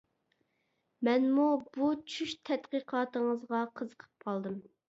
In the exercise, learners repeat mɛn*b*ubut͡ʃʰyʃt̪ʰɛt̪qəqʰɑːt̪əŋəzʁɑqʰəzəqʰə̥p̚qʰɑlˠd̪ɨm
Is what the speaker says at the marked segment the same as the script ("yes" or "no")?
no